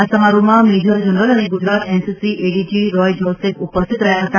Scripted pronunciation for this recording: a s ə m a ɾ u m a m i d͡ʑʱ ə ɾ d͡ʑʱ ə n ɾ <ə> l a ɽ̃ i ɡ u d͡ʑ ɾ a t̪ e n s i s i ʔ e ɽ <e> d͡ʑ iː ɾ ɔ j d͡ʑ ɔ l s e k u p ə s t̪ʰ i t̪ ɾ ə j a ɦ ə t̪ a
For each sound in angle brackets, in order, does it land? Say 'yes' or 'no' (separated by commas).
yes, no